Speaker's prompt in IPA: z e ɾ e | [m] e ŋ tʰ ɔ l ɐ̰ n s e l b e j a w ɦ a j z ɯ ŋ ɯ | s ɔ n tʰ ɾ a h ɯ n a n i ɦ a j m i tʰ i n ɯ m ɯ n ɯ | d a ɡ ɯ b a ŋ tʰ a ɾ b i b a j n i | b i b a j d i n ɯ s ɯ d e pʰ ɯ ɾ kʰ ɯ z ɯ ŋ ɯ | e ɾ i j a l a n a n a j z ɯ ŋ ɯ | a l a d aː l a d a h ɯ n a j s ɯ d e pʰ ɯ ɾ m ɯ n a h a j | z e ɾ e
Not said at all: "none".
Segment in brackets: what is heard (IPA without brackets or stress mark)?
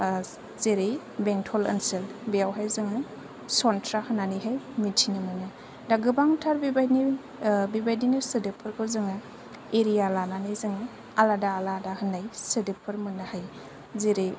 b